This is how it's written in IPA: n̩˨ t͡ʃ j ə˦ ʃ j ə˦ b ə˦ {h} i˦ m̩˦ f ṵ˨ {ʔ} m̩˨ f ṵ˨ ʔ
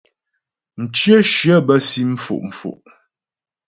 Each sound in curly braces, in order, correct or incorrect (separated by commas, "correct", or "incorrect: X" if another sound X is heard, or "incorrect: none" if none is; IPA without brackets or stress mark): incorrect: s, correct